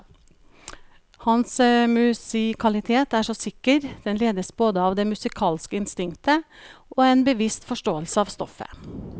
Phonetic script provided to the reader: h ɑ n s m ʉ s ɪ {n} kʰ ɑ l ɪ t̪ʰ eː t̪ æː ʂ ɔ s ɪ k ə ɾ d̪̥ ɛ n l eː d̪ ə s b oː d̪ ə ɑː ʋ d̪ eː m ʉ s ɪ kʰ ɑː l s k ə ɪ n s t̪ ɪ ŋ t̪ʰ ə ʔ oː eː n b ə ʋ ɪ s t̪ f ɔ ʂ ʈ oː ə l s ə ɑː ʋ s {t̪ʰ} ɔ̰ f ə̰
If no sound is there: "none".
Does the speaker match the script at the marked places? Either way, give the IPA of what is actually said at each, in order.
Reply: none, t̪

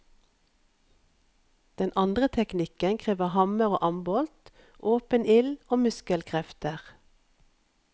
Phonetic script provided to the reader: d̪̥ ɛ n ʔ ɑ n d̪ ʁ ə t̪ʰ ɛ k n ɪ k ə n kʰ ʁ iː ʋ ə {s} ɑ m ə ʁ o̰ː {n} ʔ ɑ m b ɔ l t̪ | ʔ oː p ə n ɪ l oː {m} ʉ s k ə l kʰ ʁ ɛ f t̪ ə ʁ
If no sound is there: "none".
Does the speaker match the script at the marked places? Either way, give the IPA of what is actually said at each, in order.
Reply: h, none, m

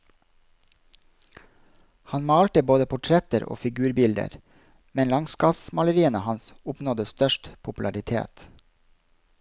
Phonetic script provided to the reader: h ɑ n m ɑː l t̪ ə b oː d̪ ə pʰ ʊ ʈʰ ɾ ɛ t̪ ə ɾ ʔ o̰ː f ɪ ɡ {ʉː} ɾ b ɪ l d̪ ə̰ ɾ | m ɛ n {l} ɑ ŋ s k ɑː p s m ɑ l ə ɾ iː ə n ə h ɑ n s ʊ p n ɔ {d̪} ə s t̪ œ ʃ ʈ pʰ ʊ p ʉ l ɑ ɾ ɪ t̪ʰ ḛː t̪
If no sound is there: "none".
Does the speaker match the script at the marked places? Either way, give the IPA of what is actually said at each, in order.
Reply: ʉː, l, d̪

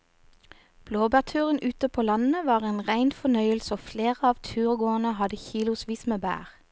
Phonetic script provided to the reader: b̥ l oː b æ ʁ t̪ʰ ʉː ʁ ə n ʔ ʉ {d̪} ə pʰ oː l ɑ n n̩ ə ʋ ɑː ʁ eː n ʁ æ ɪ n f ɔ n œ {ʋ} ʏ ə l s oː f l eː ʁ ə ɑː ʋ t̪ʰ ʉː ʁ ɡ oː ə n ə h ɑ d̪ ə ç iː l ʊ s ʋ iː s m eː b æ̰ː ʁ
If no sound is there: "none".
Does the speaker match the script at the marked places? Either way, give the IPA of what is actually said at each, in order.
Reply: t̪, none

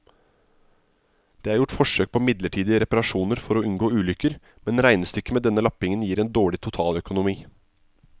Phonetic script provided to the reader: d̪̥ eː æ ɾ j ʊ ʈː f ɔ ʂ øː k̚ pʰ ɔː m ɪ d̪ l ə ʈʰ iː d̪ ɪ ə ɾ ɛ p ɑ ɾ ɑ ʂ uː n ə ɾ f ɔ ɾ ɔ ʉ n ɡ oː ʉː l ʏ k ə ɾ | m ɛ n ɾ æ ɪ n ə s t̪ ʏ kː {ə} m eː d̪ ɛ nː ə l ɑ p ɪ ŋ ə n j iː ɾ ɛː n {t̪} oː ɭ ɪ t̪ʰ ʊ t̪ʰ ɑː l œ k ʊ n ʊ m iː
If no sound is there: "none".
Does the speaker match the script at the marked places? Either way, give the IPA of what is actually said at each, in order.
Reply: ə, d̪

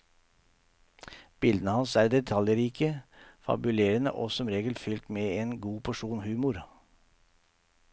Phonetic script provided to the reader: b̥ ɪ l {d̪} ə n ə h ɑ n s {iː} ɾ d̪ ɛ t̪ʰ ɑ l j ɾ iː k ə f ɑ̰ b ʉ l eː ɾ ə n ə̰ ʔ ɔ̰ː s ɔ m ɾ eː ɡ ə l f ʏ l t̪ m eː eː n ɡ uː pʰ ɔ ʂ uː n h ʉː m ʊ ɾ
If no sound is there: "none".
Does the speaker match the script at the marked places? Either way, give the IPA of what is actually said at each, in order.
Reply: d̪, æː

